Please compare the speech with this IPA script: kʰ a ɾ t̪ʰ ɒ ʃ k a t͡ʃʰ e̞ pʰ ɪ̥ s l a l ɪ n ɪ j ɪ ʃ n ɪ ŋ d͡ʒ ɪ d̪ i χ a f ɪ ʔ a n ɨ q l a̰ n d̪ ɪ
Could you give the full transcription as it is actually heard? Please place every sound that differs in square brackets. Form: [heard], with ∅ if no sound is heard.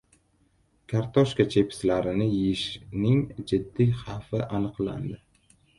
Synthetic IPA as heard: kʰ a ɾ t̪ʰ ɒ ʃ k a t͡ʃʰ e̞ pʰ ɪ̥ s l a [ɾ] ɪ n ɪ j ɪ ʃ n ɪ ŋ d͡ʒ ɪ [d̪ː] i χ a f ɪ ʔ a n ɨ q l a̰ n d̪ ɪ